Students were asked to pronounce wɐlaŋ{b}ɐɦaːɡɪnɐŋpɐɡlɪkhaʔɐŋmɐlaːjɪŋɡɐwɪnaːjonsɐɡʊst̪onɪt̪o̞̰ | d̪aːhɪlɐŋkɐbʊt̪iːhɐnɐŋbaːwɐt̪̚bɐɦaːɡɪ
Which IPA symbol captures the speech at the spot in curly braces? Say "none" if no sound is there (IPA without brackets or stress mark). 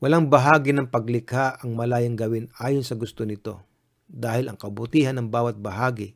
b